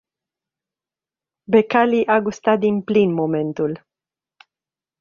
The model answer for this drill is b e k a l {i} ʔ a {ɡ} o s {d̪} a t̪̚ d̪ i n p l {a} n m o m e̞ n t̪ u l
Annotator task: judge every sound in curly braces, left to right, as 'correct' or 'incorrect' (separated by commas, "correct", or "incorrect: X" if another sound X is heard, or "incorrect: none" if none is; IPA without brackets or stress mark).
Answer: correct, correct, incorrect: t̪, incorrect: i